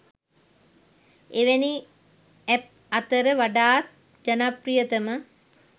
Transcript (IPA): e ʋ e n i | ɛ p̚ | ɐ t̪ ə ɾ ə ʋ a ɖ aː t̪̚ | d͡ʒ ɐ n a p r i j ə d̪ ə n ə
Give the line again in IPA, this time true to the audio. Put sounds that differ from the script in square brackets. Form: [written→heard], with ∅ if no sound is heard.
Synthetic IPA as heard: e ʋ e n i | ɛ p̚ | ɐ t̪ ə ɾ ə ʋ a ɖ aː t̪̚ | d͡ʒ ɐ n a p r i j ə [d̪→t̪] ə [n→m] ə